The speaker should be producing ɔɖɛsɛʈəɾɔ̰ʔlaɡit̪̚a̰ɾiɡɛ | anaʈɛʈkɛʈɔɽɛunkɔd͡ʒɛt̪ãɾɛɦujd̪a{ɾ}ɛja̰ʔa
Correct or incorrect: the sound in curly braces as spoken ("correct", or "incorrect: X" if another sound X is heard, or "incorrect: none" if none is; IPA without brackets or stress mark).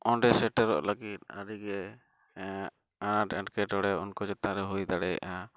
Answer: incorrect: ɽ